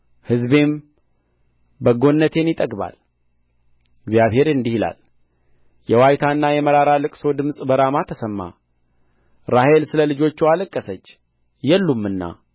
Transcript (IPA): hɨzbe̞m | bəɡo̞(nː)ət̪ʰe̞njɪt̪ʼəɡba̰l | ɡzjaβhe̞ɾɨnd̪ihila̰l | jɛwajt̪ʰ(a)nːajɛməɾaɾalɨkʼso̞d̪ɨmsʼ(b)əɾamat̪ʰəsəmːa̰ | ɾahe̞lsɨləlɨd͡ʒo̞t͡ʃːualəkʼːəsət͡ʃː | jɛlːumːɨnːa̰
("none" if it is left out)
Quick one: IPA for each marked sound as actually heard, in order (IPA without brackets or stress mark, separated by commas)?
nː, a, b